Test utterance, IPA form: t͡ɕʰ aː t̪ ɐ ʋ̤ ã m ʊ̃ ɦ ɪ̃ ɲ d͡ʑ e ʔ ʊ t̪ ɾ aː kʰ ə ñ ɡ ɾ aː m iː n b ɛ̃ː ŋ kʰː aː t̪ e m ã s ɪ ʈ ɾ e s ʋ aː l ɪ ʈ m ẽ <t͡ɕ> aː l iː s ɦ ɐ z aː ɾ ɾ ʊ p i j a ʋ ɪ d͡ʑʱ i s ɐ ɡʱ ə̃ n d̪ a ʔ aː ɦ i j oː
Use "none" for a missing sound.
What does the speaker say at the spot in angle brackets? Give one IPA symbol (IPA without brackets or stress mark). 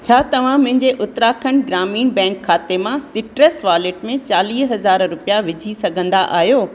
t͡ɕ